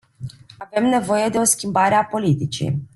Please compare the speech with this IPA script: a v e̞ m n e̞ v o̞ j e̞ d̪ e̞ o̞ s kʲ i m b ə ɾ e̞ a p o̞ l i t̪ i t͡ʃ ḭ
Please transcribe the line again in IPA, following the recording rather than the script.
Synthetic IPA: a v e̞ m n e̞ v o̞ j e̞ d̪ e̞ o̞ s kʲ i m b a ɾ e̞ a p o̞ l i t̪ i t͡ʃ ḭ